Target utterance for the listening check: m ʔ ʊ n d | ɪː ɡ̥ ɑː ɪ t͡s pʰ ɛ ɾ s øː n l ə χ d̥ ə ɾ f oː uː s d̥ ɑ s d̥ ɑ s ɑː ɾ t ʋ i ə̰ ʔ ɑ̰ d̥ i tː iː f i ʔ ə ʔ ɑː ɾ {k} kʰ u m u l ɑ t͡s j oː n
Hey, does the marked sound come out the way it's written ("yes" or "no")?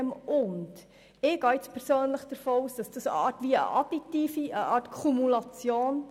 no